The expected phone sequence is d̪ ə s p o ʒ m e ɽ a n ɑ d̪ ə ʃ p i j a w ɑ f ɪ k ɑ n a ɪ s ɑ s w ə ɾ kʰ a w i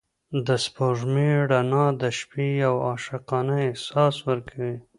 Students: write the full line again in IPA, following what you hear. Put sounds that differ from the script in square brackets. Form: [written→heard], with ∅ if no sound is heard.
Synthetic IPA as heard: d̪ ə s p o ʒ m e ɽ a n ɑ d̪ ə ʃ p i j a w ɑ [f→ʃ] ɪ [k→q] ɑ n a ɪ s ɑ s w ə ɾ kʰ a w i